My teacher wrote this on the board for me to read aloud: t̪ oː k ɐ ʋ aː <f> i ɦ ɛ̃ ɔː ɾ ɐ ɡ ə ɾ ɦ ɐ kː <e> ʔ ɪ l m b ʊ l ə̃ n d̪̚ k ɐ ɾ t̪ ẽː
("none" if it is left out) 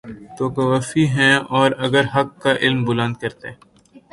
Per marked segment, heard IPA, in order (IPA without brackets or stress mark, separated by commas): f, a